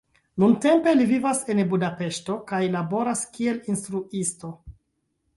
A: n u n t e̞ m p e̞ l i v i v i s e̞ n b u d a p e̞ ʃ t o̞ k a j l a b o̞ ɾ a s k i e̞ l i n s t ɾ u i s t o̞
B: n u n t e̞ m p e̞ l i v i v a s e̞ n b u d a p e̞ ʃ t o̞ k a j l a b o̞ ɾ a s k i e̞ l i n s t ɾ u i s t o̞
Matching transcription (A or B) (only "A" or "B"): B